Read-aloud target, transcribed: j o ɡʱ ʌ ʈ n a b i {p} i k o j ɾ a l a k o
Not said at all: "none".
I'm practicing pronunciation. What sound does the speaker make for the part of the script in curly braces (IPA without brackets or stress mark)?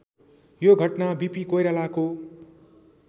p